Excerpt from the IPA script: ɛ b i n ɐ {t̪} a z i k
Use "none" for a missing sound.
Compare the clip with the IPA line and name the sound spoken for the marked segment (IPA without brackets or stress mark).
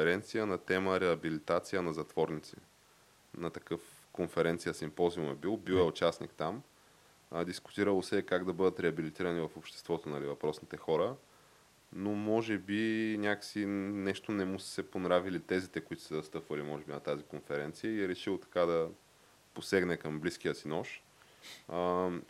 t̪